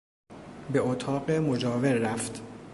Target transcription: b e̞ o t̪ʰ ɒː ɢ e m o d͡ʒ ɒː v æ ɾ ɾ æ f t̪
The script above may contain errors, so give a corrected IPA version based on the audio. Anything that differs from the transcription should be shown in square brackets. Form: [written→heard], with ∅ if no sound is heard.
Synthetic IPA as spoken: b e̞ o t̪ʰ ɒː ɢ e m o d͡ʒ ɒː v [æ→e] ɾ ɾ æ f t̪